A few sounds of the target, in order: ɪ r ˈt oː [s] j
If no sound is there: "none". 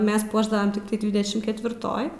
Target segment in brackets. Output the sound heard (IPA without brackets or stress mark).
none